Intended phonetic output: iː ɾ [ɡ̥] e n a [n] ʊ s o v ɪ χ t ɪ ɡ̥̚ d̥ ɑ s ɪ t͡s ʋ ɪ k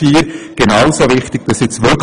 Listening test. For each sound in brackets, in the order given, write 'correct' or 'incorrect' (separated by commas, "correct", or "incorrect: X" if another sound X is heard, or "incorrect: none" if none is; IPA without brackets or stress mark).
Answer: correct, incorrect: none